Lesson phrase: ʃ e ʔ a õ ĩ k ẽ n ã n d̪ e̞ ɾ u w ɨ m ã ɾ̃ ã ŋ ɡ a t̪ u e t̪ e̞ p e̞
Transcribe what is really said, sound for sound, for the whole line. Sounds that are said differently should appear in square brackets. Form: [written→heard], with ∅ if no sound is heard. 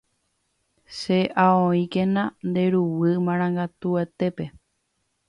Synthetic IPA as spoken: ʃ e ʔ a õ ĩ k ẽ n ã n d̪ e̞ ɾ u w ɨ m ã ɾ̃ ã ŋ ɡ a t̪ u e t̪ e̞ p e̞